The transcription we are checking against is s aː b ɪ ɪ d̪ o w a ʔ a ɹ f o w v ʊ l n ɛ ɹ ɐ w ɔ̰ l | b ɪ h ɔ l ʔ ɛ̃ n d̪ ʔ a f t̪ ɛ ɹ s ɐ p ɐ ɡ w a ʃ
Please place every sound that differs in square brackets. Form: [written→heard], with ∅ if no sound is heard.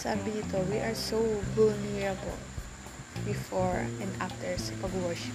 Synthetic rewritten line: s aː b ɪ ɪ [d̪→t̪] o w [a→i] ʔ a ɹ [f→s] o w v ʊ l n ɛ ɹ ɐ [w→b] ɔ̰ l | b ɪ [h→f] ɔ [l→ɹ] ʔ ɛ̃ n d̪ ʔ a f t̪ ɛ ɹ s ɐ p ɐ ɡ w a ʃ